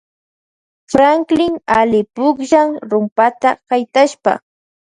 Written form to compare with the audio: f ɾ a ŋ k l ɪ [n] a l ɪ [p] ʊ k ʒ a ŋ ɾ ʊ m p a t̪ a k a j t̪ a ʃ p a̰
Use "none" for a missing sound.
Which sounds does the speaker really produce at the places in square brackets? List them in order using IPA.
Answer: ŋ, p

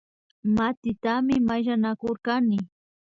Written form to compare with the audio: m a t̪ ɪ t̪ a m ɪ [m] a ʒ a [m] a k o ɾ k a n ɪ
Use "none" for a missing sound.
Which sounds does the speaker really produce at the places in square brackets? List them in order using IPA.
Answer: m, n

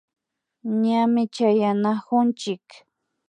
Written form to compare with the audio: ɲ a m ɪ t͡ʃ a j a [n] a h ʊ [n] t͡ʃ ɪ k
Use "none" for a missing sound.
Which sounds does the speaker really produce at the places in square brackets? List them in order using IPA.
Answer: n, n

